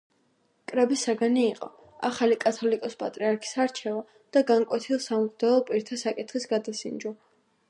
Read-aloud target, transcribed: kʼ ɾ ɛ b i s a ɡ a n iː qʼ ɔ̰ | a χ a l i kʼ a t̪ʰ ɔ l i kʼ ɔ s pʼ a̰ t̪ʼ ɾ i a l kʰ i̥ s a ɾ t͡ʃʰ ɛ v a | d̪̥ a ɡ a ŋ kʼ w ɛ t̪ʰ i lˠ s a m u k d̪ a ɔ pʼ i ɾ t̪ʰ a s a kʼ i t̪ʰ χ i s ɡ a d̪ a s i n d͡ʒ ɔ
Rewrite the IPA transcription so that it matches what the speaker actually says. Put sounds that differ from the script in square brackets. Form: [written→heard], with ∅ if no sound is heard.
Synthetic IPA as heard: kʼ ɾ ɛ b i s a ɡ a n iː qʼ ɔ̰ | a χ a l i kʼ a t̪ʰ ɔ l i kʼ ɔ s pʼ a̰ t̪ʼ ɾ i a [l→ɾ] kʰ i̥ s a ɾ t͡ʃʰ ɛ v a | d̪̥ a ɡ a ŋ kʼ w ɛ t̪ʰ i lˠ s a m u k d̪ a ɔ pʼ i ɾ t̪ʰ a s a kʼ i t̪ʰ χ i s ɡ a d̪ a s i n d͡ʒ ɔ